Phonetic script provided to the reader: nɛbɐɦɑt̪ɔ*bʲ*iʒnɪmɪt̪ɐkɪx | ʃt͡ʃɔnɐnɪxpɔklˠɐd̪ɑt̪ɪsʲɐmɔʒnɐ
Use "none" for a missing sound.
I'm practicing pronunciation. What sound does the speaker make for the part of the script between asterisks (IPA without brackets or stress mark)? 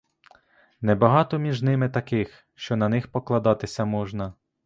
mʲ